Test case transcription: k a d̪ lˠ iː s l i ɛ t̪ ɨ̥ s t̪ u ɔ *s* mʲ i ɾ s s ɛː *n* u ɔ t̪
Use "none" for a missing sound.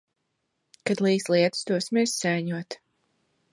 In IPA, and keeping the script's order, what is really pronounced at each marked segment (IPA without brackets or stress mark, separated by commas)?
s, ɲ